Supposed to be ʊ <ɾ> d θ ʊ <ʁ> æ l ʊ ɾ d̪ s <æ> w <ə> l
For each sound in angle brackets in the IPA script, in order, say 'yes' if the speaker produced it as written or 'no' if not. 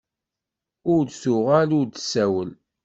yes, yes, yes, yes

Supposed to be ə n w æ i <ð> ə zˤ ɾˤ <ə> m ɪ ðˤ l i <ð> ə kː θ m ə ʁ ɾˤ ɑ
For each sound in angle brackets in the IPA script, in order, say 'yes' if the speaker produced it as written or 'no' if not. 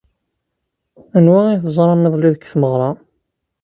no, no, yes

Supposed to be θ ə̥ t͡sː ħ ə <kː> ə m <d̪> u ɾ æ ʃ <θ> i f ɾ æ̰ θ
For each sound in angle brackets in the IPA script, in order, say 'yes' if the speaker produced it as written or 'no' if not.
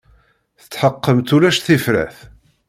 no, no, yes

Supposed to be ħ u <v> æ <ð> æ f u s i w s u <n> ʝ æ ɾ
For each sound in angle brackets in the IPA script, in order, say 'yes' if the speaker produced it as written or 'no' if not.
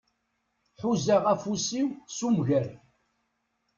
no, no, no

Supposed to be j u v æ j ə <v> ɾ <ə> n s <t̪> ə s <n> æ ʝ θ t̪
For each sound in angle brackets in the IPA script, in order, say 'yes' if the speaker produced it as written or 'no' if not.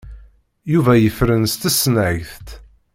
no, yes, yes, yes

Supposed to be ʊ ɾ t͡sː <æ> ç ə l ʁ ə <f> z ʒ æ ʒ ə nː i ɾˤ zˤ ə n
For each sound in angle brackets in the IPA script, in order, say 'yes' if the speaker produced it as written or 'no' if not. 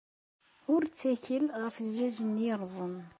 yes, yes

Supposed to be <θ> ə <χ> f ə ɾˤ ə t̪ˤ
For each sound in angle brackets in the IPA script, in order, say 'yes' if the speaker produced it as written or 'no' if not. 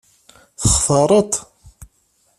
yes, yes

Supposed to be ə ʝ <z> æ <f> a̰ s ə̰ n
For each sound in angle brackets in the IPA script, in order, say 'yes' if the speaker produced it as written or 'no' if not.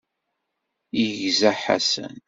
yes, no

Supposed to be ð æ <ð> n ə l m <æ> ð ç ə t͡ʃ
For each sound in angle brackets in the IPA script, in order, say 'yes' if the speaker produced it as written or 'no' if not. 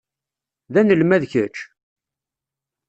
no, yes

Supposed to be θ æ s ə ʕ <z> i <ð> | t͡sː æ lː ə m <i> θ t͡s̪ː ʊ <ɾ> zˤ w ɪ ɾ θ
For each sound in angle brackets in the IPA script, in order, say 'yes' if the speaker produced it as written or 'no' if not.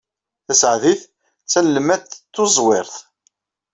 no, no, no, no

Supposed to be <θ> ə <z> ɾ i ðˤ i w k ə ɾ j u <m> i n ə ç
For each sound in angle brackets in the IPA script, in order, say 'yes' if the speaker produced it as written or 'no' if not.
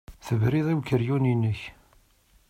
yes, no, no

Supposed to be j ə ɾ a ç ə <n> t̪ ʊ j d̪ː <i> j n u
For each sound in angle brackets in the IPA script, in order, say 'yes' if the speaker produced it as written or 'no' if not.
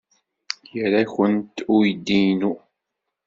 yes, yes

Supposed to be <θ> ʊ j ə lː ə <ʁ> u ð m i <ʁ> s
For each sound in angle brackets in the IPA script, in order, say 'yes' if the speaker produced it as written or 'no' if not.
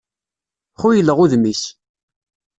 no, yes, no

